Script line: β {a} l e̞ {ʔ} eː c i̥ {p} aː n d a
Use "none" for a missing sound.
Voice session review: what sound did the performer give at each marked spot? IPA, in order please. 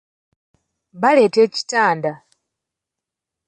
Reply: a, t, t

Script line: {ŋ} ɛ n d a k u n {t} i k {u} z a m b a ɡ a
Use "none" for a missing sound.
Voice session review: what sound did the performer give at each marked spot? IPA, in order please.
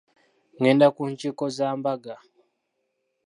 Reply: ŋ, t͡ʃ, ɔ

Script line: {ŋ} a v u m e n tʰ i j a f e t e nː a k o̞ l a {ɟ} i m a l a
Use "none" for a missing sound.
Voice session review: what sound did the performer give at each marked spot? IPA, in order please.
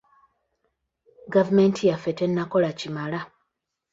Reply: ɡ, c

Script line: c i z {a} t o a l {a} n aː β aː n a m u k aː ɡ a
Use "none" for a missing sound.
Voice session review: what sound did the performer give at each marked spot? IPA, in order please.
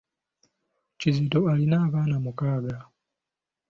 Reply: i, i

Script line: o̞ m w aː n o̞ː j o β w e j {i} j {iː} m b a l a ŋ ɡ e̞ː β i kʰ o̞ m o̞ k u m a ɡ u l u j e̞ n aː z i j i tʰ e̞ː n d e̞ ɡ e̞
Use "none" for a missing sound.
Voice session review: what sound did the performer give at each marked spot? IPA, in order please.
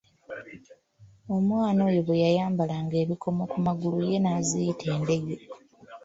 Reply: a, aː

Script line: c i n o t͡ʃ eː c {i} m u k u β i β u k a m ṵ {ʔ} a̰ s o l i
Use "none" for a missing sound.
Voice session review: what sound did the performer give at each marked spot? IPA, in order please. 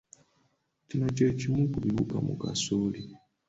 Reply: i, k

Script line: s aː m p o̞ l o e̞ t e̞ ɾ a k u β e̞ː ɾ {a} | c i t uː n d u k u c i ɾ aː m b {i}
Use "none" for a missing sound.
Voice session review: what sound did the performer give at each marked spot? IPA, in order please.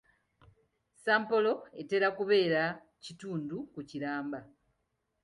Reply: a, a

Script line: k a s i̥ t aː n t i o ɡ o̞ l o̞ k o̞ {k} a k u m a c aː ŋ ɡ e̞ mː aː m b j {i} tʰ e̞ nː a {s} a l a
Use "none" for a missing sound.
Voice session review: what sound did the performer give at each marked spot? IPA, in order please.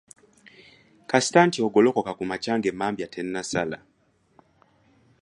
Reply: k, a, s

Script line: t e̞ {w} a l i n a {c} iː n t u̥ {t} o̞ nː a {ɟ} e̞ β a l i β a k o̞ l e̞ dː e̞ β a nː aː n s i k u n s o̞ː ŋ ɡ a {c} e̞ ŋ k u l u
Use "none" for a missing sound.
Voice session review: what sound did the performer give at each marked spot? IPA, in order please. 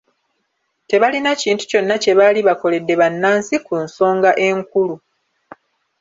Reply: β, c, c, c, ʔ

